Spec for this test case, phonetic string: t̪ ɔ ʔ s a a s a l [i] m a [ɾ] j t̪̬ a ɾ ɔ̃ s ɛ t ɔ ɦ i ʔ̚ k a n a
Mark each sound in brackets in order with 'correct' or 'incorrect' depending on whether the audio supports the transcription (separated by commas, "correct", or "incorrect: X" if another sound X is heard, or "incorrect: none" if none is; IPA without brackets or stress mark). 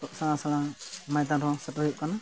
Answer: incorrect: a, incorrect: none